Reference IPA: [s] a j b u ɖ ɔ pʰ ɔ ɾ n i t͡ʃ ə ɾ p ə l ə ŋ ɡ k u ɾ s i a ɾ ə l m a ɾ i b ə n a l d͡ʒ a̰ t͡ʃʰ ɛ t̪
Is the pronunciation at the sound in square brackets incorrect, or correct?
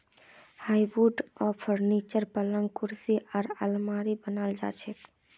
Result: incorrect